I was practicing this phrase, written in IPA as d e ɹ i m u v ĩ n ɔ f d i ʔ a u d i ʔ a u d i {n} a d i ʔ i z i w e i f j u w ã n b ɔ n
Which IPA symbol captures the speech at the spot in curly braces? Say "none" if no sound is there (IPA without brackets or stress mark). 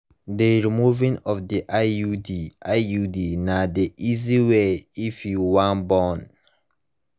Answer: n